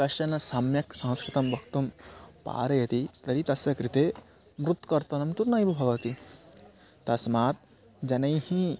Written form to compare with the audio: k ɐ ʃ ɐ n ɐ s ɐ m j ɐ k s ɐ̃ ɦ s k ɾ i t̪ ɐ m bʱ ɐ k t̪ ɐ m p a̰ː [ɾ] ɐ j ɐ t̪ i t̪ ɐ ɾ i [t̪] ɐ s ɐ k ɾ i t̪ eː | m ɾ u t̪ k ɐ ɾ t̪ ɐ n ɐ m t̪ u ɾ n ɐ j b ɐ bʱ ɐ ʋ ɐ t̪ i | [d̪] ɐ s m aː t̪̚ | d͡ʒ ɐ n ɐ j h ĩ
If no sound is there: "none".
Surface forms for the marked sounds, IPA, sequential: ɾ, t̪, t̪

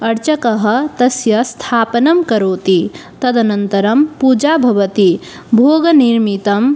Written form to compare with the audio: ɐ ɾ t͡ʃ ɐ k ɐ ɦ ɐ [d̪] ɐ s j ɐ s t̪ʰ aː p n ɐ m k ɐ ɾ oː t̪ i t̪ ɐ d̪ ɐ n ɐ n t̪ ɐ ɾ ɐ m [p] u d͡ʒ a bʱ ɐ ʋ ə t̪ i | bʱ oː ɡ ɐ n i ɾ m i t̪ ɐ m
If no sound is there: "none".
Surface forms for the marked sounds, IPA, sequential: t̪, p

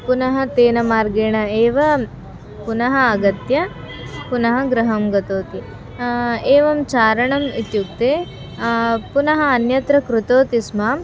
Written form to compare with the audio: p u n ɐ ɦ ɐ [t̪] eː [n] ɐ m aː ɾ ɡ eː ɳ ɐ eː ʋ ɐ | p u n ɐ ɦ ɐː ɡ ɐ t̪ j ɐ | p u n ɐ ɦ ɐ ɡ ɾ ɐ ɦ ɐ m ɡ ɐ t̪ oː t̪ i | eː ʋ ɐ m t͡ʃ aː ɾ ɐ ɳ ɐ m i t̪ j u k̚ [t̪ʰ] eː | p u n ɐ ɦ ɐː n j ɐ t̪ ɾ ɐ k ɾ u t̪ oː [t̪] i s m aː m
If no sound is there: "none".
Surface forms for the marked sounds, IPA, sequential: t̪, n, t̪, t̪

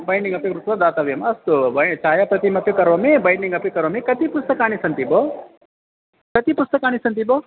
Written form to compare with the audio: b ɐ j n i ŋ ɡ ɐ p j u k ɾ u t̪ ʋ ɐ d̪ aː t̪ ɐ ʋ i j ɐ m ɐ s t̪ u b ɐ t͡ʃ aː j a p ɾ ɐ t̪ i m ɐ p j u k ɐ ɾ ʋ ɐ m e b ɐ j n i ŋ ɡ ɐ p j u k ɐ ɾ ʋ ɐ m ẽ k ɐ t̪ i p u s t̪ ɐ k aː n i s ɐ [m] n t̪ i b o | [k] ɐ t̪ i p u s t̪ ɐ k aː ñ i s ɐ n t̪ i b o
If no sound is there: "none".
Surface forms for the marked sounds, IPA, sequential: none, k

